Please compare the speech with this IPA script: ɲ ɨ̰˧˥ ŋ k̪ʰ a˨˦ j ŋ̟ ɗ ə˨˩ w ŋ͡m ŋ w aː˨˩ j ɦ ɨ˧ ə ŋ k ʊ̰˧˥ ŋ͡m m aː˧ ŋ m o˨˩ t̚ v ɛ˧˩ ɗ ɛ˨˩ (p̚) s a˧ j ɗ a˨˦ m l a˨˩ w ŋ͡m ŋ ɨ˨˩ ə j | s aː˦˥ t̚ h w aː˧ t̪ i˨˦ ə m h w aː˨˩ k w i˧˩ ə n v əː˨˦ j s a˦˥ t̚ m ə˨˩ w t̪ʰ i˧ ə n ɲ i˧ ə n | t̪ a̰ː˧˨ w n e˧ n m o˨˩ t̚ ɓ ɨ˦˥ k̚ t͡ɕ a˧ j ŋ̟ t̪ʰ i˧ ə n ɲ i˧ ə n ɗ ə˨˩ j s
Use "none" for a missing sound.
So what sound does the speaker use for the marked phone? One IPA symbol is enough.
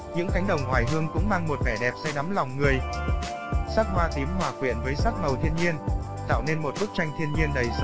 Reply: p̚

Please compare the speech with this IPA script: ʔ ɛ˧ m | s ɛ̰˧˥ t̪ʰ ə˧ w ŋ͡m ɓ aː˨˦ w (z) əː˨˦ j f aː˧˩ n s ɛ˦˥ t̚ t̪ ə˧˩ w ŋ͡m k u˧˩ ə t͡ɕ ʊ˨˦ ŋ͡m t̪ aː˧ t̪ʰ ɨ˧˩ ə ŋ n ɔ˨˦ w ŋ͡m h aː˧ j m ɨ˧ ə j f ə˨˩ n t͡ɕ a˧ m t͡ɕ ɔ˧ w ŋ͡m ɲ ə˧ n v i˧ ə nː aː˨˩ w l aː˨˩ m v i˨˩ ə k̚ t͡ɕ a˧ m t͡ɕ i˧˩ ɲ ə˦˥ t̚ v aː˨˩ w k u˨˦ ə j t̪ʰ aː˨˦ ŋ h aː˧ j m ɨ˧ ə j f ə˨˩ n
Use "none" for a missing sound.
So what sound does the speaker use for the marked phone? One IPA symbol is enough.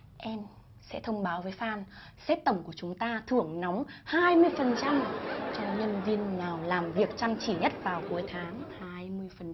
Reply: v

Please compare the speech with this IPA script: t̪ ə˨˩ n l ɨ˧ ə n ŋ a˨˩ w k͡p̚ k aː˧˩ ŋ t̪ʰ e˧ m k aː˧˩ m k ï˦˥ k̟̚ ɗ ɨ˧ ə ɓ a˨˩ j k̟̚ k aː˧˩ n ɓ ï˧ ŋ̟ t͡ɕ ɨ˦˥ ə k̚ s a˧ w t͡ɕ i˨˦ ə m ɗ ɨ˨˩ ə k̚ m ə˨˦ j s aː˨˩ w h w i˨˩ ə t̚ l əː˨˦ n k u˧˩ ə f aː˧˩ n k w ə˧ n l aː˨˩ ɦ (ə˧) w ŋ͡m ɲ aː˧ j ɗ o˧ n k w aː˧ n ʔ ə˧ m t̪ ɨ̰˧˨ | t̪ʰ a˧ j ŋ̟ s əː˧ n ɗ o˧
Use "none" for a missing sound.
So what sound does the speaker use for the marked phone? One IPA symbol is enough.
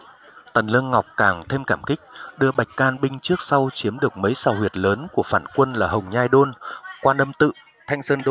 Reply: ə˨˩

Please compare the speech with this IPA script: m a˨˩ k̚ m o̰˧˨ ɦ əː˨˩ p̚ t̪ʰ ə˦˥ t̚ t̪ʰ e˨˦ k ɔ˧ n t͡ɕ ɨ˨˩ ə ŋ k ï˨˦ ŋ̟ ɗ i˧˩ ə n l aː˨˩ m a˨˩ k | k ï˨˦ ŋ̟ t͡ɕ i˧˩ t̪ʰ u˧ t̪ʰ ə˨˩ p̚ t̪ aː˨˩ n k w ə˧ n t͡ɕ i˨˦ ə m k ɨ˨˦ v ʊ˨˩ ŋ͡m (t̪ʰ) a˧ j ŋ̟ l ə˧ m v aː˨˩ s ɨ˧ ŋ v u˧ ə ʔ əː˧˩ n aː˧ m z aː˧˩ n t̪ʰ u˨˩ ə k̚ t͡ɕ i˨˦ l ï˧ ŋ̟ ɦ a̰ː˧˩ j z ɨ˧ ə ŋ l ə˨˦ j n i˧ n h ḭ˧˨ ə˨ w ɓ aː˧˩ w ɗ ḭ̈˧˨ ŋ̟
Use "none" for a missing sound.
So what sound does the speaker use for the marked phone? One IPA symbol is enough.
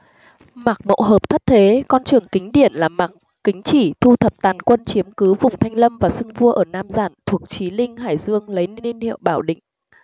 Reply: t̪ʰ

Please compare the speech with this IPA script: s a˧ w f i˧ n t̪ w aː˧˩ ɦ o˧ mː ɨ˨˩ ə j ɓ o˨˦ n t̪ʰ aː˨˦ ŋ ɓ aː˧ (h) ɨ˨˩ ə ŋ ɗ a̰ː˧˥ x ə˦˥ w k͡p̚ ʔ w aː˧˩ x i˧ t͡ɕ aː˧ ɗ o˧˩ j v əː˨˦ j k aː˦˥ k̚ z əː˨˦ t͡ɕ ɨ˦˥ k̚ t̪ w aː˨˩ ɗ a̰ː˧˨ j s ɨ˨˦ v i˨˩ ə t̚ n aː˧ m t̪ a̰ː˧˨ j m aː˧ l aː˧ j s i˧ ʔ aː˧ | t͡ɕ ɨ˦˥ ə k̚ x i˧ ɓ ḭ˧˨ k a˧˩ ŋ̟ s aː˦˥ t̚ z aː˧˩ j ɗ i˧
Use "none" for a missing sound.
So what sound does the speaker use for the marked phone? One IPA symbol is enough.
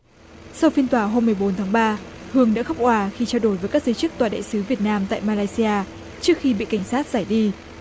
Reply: h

